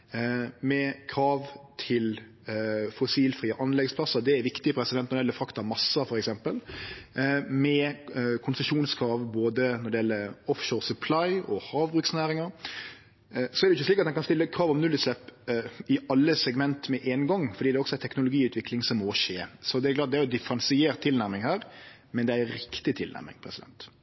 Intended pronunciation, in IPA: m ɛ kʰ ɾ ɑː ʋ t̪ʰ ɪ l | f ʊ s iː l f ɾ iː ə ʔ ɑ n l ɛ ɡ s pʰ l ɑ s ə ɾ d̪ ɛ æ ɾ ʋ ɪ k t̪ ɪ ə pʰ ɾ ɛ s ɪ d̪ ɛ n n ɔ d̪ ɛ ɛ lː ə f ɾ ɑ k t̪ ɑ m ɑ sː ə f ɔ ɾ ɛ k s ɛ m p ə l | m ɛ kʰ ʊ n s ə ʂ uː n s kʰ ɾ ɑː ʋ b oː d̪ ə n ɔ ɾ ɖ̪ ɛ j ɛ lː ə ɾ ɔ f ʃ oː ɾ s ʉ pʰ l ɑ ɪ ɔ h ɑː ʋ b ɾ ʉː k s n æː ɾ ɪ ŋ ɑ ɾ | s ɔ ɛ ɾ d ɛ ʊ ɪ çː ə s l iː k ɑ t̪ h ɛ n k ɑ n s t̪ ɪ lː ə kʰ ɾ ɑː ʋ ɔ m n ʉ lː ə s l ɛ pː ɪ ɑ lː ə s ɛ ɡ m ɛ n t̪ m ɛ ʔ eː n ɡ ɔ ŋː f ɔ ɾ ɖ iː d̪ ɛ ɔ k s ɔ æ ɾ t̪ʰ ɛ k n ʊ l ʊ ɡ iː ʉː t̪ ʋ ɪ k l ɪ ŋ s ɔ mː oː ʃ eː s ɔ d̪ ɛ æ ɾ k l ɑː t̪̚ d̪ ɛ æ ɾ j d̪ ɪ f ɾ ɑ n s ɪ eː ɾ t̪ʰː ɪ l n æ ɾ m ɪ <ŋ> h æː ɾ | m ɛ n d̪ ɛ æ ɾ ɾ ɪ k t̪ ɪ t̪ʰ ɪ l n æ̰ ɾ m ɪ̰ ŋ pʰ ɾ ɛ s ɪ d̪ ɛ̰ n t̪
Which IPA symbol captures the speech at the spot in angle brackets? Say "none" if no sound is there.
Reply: ŋ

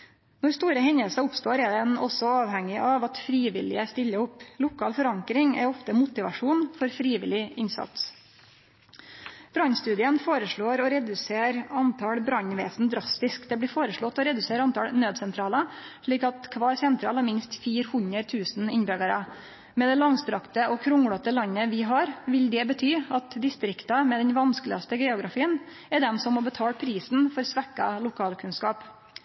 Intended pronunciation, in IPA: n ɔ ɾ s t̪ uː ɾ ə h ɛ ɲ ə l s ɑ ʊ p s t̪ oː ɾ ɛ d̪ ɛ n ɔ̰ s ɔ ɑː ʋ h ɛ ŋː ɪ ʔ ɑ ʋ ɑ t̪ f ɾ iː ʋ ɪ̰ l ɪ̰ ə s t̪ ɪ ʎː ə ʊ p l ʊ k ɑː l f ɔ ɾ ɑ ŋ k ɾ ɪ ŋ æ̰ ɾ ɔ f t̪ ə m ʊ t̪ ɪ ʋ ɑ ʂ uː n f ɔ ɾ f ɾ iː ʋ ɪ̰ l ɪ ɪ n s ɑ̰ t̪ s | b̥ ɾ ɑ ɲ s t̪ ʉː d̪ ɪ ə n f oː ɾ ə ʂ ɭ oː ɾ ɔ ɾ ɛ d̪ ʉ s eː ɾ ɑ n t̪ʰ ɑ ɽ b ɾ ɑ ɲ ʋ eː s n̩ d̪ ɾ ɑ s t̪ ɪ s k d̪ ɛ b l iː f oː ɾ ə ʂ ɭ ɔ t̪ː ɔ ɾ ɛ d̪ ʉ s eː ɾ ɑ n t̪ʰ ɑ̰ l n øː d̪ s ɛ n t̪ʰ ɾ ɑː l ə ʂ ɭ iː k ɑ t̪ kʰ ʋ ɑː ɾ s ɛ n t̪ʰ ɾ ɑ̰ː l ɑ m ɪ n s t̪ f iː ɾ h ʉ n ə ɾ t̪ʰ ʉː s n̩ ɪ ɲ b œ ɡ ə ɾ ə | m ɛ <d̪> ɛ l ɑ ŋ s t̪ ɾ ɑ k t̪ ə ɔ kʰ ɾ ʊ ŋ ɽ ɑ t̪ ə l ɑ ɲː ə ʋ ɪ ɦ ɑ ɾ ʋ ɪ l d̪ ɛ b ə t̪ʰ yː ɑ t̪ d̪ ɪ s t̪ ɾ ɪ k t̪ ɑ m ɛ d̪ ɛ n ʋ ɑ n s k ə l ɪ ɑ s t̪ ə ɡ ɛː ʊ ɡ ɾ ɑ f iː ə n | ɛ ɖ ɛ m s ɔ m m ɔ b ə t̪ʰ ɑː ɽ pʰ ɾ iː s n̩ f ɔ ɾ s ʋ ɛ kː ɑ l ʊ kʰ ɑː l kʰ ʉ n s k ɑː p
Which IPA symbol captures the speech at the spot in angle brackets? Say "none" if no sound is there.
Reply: d̪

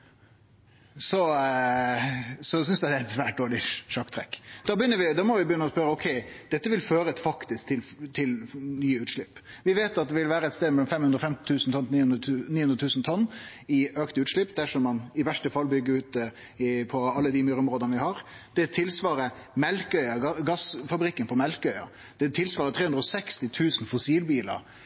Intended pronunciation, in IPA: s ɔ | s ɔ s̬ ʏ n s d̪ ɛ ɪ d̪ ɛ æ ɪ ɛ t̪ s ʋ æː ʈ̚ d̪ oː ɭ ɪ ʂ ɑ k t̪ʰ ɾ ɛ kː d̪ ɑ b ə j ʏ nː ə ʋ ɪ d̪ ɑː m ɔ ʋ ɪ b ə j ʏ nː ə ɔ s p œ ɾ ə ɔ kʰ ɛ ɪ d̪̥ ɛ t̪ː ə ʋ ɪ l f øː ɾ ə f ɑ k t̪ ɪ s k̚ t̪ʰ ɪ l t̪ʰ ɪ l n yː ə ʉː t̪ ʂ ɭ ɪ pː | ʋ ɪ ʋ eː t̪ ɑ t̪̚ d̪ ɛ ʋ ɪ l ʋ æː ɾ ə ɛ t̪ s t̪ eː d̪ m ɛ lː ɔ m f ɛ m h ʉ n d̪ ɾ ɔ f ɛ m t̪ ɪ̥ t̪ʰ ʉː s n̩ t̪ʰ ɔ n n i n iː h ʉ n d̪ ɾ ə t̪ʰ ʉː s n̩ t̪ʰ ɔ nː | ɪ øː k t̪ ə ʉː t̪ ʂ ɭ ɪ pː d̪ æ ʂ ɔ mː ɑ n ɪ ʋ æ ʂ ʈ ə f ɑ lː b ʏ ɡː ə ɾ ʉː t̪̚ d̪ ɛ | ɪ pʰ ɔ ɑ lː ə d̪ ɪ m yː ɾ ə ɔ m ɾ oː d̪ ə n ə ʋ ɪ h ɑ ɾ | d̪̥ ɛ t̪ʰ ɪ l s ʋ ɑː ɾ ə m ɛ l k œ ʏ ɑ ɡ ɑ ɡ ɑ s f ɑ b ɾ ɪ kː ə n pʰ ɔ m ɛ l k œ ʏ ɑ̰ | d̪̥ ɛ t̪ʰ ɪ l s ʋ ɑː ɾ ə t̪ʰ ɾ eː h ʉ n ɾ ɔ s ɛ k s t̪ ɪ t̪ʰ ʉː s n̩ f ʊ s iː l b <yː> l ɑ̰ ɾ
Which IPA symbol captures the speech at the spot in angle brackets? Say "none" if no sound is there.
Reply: iː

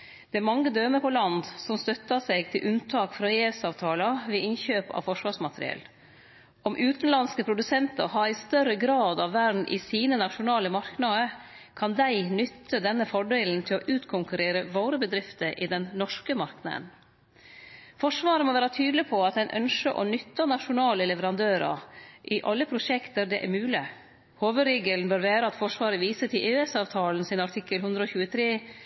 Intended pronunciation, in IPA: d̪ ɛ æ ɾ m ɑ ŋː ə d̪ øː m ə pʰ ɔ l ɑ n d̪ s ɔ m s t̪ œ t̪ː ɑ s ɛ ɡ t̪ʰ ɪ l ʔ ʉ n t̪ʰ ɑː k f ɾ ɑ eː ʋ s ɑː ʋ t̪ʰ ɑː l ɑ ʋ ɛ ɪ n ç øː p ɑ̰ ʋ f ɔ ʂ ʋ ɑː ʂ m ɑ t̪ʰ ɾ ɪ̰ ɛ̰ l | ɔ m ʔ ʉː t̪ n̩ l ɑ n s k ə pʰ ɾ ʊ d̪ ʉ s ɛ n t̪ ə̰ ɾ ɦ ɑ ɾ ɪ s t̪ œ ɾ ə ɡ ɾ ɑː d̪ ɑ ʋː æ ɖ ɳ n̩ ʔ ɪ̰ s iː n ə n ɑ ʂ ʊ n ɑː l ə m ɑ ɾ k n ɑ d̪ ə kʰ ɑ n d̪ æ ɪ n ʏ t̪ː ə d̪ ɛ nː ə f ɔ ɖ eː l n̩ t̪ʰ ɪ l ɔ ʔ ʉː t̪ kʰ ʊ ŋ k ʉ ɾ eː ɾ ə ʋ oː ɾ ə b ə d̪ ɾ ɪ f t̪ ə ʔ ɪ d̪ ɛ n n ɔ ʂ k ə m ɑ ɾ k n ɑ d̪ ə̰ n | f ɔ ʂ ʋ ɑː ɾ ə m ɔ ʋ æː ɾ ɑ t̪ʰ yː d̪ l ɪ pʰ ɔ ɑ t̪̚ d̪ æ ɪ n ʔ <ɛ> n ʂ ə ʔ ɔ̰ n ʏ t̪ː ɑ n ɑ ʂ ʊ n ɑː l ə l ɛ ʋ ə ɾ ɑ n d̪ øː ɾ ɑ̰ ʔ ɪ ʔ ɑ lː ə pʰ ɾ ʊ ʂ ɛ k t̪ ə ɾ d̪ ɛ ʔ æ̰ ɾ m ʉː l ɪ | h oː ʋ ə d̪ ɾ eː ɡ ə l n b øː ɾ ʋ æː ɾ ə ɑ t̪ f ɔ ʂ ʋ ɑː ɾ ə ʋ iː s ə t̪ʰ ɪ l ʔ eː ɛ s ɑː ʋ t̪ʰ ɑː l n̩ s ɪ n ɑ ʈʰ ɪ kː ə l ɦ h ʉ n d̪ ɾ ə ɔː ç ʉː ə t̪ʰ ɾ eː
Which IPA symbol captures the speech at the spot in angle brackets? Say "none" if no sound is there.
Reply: œ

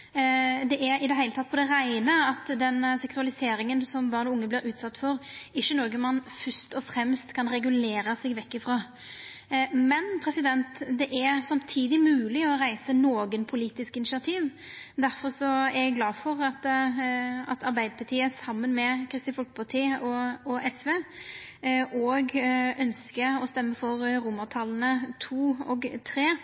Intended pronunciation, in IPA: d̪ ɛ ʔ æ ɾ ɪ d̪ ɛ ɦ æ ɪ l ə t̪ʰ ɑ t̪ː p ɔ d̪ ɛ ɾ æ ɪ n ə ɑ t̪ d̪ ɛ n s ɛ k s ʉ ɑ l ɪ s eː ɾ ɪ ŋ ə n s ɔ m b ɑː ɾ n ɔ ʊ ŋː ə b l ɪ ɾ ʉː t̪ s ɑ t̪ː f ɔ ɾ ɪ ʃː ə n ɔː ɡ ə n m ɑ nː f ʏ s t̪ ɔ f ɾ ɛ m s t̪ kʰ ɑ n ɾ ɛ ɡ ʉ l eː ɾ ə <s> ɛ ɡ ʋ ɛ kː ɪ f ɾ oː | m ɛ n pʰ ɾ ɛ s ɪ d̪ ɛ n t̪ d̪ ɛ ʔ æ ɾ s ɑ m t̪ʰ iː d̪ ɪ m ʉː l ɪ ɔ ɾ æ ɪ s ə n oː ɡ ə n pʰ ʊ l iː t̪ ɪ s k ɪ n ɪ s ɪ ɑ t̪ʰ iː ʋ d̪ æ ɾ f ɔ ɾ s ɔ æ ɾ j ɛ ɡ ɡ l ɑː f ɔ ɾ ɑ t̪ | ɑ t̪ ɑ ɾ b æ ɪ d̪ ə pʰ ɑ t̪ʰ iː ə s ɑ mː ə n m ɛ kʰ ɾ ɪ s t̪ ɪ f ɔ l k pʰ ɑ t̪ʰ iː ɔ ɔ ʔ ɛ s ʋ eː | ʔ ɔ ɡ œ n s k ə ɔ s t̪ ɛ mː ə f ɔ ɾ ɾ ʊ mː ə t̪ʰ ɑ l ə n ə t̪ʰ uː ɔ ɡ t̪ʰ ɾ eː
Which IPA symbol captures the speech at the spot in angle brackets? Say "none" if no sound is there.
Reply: s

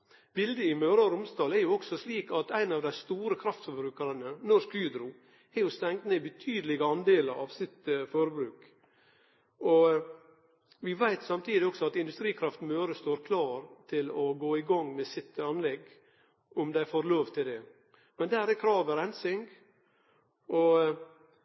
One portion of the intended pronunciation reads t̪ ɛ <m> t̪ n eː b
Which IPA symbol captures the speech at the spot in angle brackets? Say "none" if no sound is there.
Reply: ŋ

